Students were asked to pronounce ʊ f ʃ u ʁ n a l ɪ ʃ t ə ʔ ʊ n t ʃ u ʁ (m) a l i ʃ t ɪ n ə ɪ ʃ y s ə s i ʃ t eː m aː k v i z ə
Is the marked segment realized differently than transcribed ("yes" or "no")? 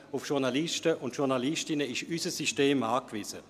yes